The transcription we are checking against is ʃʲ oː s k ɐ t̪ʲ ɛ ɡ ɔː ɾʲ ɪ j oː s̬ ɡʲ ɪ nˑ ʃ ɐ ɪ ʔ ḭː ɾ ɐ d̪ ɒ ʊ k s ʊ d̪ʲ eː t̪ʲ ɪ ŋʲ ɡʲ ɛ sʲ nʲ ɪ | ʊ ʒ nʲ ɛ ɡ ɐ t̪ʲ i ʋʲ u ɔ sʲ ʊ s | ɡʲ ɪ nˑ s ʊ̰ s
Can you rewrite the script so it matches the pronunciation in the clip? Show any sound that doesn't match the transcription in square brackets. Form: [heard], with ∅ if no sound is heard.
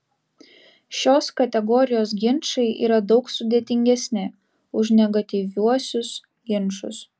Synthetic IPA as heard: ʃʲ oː s k ɐ t̪ʲ ɛ ɡ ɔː ɾʲ ɪ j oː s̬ ɡʲ ɪ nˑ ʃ ɐ ɪ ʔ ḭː ɾ ɐ d̪ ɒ ʊ k s ʊ d̪ʲ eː t̪ʲ ɪ ŋʲ ɡʲ ɛ sʲ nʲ ɪ | ʊ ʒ nʲ ɛ ɡ ɐ t̪ʲ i ʋʲ u ɔ sʲ ʊ s | ɡʲ ɪ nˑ [ʃ] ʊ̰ s

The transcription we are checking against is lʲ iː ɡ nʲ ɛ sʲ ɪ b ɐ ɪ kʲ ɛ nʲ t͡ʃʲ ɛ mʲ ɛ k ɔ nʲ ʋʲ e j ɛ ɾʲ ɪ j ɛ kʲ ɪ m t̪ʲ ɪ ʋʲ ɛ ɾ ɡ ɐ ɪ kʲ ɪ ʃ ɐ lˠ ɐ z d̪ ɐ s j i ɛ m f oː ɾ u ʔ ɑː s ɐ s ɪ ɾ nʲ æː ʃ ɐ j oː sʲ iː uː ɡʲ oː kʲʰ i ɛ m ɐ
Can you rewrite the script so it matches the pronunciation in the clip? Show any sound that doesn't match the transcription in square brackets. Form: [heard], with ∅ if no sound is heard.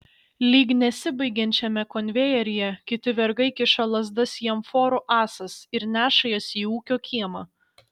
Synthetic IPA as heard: lʲ iː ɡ nʲ ɛ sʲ ɪ b ɐ ɪ [ɡʲ] ɛ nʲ t͡ʃʲ ɛ mʲ ɛ k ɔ nʲ ʋʲ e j ɛ ɾʲ ɪ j ɛ kʲ ɪ [∅] t̪ʲ ɪ ʋʲ ɛ ɾ ɡ ɐ ɪ kʲ ɪ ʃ ɐ lˠ ɐ z d̪ ɐ s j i ɛ m f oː ɾ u ʔ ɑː s ɐ s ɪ ɾ nʲ æː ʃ ɐ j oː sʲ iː uː [kʲ] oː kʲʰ i ɛ m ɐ

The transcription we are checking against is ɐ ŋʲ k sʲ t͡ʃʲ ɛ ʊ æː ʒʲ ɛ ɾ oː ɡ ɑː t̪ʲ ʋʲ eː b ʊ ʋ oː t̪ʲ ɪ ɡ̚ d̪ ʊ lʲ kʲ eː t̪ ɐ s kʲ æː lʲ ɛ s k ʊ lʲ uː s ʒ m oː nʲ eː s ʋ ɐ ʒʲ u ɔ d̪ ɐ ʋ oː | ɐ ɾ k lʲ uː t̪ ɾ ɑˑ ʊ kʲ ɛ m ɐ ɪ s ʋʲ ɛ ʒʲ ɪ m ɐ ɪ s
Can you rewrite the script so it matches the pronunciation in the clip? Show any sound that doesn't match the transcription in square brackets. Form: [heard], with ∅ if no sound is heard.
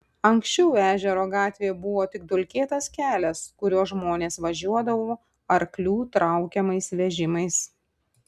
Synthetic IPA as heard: ɐ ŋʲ k sʲ t͡ʃʲ ɛ ʊ æː ʒʲ ɛ ɾ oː ɡ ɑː t̪ʲ ʋʲ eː b ʊ ʋ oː t̪ʲ ɪ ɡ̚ d̪ ʊ lʲ kʲ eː t̪ ɐ s kʲ æː lʲ ɛ s k ʊ [ɾʲ] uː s ʒ m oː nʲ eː s ʋ ɐ ʒʲ u ɔ d̪ ɐ ʋ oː | ɐ ɾ k lʲ uː t̪ ɾ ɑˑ ʊ kʲ ɛ m ɐ ɪ s ʋʲ ɛ ʒʲ ɪ m ɐ ɪ s

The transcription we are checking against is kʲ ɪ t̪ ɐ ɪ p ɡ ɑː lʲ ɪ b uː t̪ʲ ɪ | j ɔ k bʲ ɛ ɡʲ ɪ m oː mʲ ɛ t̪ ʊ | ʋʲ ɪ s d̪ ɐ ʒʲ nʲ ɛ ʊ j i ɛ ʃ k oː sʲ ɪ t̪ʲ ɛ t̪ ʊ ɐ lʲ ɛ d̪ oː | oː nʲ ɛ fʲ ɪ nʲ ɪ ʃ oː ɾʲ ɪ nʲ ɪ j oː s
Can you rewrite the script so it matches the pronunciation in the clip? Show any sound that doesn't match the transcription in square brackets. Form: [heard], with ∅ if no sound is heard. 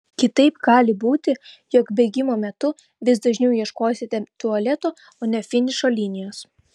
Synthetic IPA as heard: kʲ ɪ t̪ ɐ ɪ p ɡ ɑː lʲ ɪ b uː t̪ʲ ɪ | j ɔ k bʲ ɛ ɡʲ ɪ m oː mʲ ɛ t̪ ʊ | ʋʲ ɪ s d̪ ɐ ʒʲ nʲ ɛ ʊ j i ɛ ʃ k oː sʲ ɪ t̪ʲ ɛ t̪ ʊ ɐ lʲ ɛ [t̪] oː | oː nʲ ɛ fʲ ɪ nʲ ɪ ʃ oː [lʲ] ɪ nʲ ɪ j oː s

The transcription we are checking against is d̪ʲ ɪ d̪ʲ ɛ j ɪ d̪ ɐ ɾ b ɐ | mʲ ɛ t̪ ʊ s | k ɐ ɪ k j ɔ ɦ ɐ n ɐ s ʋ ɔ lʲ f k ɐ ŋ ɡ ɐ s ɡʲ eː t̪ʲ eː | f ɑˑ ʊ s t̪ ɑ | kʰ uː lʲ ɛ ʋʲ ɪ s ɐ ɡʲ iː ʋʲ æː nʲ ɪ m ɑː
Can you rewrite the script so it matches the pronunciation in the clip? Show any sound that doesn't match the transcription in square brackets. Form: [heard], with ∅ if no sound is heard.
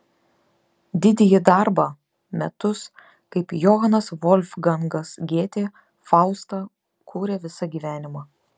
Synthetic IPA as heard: d̪ʲ ɪ d̪ʲ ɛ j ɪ d̪ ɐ ɾ b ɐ | mʲ ɛ t̪ ʊ s | k ɐ ɪ [p] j ɔ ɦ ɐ n ɐ s ʋ ɔ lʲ f [ɡ] ɐ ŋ ɡ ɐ s ɡʲ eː t̪ʲ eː | f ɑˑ ʊ s t̪ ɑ | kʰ uː [ɾʲ] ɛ ʋʲ ɪ s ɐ ɡʲ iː ʋʲ æː nʲ ɪ m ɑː

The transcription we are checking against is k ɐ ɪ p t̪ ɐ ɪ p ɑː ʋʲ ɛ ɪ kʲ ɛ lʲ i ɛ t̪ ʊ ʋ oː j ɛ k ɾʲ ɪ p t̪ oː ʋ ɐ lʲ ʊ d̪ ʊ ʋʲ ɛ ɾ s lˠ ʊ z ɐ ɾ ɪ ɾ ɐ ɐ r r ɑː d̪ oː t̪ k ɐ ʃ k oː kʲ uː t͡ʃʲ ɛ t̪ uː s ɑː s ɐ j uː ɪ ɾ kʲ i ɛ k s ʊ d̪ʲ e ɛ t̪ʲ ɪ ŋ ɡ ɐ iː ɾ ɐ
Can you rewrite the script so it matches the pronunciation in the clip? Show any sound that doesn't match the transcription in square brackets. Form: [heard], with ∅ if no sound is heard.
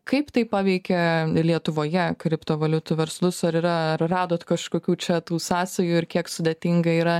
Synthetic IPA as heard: k ɐ ɪ p t̪ ɐ ɪ p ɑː ʋʲ ɛ ɪ kʲ ɛ lʲ i ɛ t̪ ʊ ʋ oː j ɛ k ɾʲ ɪ p t̪ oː ʋ ɐ lʲ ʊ [t̪] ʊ ʋʲ ɛ ɾ s lˠ ʊ [s] ɐ ɾ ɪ ɾ ɐ ɐ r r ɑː d̪ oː t̪ k ɐ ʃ k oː kʲ uː t͡ʃʲ ɛ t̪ uː s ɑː s ɐ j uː ɪ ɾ kʲ i ɛ k s ʊ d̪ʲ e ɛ t̪ʲ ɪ ŋ ɡ ɐ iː ɾ ɐ

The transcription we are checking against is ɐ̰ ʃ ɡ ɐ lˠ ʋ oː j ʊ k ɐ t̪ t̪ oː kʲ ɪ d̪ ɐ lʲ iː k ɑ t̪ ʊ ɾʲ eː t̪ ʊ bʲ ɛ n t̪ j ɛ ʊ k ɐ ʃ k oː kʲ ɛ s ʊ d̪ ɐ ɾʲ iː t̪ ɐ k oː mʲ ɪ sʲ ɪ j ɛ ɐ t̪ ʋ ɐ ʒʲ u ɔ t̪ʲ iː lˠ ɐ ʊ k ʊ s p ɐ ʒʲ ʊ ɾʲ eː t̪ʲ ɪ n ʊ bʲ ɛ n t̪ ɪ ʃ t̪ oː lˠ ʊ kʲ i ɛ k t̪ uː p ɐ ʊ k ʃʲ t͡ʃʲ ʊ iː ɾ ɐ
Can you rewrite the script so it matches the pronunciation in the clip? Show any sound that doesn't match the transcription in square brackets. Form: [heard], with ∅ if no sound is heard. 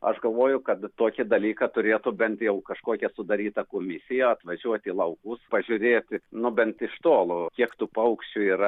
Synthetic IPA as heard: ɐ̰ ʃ ɡ ɐ lˠ ʋ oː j ʊ k ɐ t̪ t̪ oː kʲ ɪ d̪ ɐ lʲ iː k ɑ t̪ ʊ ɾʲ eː t̪ ʊ bʲ ɛ n t̪ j ɛ ʊ k ɐ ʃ k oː kʲ ɛ s ʊ d̪ ɐ ɾʲ iː t̪ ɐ k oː mʲ ɪ sʲ ɪ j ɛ ɐ t̪ ʋ ɐ ʒʲ u ɔ t̪ʲ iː lˠ ɐ ʊ k ʊ s p ɐ ʒʲ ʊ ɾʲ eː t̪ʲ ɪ n ʊ bʲ ɛ n t̪ ɪ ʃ t̪ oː lˠ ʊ kʲ i ɛ k t̪ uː p ɐ ʊ k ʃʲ t͡ʃʲ ʊ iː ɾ ɐ

